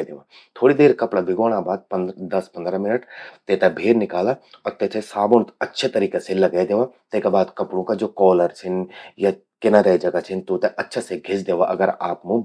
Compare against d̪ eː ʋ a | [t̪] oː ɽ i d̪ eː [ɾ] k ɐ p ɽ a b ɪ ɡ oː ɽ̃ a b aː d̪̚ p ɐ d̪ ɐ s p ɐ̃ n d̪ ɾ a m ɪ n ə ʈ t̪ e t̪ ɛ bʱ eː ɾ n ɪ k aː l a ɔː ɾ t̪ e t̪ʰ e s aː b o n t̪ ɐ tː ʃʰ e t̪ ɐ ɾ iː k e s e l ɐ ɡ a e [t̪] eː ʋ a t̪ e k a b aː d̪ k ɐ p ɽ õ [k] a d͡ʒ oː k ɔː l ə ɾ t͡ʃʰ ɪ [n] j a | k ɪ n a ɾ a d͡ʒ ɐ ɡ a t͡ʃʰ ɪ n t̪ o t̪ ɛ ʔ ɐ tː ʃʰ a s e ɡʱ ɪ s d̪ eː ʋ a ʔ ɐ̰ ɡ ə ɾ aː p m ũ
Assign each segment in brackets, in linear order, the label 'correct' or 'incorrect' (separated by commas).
incorrect, correct, incorrect, correct, correct